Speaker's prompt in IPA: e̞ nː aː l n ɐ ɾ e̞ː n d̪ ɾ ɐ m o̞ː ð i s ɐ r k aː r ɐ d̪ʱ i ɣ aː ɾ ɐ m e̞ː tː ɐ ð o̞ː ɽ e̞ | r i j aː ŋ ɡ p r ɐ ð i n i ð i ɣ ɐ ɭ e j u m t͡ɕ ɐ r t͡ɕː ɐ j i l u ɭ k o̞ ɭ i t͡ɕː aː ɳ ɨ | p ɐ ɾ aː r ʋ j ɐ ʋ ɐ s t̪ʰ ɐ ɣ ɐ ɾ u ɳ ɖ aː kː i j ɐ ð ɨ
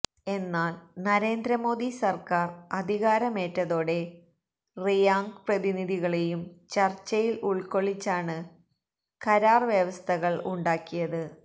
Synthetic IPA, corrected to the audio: e̞ nː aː l n ɐ ɾ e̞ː n d̪ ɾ ɐ m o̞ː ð i s ɐ r k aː r ɐ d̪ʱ i ɣ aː ɾ ɐ m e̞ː tː ɐ ð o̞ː ɽ e̞ | r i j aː ŋ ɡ p r ɐ ð i n i ð i ɣ ɐ ɭ e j u m t͡ɕ ɐ r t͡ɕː ɐ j i l u ɭ k o̞ ɭ i t͡ɕː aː ɳ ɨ | k ɐ ɾ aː r ʋ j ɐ ʋ ɐ s t̪ʰ ɐ ɣ ɐ ɭ u ɳ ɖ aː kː i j ɐ ð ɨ